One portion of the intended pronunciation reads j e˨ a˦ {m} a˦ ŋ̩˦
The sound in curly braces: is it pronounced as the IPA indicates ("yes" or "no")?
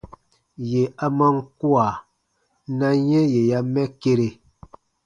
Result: yes